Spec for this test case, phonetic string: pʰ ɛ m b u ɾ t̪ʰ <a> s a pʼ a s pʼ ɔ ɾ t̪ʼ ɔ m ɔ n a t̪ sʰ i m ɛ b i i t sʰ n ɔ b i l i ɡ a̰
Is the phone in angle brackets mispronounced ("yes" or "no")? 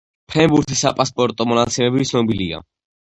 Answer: yes